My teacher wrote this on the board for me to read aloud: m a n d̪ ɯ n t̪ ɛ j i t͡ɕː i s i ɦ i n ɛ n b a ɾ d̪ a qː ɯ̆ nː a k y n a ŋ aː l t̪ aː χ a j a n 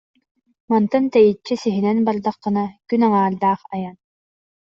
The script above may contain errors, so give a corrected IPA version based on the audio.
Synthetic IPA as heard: m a n t̪ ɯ n t̪ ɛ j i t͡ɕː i s i ɦ i n ɛ n b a ɾ d̪ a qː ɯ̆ n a k y n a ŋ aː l d̪ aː χ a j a n